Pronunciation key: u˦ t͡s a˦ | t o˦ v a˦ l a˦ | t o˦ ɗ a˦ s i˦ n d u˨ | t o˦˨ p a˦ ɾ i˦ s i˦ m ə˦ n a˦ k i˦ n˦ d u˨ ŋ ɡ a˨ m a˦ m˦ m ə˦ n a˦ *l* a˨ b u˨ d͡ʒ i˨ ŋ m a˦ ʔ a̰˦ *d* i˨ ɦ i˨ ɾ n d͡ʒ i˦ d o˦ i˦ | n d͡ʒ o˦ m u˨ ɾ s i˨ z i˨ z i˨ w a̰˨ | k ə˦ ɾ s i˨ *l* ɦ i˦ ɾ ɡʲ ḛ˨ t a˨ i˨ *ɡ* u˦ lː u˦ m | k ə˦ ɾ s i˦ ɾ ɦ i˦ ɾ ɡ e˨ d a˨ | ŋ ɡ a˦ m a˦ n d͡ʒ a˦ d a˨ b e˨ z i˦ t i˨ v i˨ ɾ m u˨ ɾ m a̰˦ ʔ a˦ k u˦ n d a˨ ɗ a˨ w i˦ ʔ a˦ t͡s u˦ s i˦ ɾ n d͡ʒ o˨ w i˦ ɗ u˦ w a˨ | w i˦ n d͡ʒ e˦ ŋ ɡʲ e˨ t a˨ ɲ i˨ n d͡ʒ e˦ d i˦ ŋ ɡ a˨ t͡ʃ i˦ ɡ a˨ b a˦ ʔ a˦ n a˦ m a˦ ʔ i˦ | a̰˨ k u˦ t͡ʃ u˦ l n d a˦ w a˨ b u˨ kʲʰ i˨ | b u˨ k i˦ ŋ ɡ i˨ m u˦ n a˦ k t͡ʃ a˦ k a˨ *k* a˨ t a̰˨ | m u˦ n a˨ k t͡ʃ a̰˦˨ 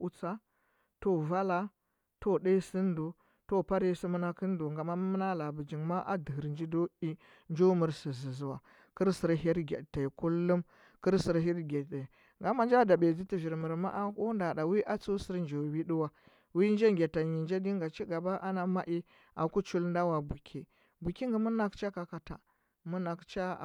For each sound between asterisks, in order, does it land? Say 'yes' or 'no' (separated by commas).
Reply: yes, yes, no, no, yes